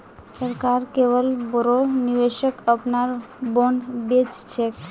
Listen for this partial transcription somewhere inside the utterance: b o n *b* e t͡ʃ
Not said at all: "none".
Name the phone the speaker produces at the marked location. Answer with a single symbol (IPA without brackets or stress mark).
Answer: b